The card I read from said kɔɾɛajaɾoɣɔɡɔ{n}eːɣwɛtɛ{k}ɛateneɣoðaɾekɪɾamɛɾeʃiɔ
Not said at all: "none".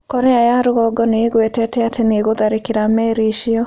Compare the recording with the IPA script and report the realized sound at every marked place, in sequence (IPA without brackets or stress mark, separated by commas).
n, t